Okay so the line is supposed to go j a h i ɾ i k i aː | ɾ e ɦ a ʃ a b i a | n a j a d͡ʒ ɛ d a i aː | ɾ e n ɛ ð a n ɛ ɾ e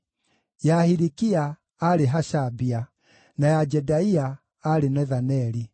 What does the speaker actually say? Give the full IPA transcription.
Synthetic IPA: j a h i ɾ i k i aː | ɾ e ɦ a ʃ a b i a | n a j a d͡ʒ ɛ d a i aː | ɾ e n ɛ ð a n ɛ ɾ i